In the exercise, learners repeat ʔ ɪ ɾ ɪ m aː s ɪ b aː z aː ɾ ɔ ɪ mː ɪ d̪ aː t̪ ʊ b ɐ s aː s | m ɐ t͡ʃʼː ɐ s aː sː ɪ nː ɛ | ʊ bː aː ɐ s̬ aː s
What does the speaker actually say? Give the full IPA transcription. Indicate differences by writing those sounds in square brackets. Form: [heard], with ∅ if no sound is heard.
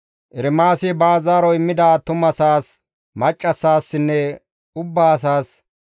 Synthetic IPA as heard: ʔ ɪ ɾ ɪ m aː s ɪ b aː z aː ɾ ɔ ɪ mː ɪ d̪ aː t̪ ʊ [m] ɐ s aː s | m ɐ t͡ʃʼː ɐ s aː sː ɪ nː ɛ | ʊ bː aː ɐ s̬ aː s